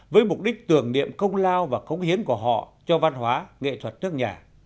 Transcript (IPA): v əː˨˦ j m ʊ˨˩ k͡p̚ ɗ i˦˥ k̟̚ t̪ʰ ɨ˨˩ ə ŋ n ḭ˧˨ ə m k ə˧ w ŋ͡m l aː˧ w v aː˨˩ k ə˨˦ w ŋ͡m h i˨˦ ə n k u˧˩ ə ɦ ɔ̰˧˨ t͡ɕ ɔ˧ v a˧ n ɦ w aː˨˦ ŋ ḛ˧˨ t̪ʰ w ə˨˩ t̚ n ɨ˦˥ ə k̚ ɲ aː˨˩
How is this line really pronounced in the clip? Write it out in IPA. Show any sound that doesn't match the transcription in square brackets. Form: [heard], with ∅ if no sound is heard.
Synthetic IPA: v əː˨˦ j m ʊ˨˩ k͡p̚ ɗ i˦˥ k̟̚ [t̪] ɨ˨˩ ə ŋ n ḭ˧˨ ə m k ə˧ w ŋ͡m l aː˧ w v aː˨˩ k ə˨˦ w ŋ͡m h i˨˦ ə n k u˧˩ ə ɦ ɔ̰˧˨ t͡ɕ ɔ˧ v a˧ n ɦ w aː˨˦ ŋ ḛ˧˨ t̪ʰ w ə˨˩ t̚ n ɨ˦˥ ə k̚ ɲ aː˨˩